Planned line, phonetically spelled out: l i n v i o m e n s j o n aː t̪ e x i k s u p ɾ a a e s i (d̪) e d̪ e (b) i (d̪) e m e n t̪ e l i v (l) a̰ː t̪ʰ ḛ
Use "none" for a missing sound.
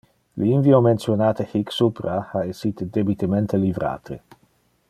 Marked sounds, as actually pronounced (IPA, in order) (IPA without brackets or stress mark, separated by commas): t̪, b, t̪, ɾ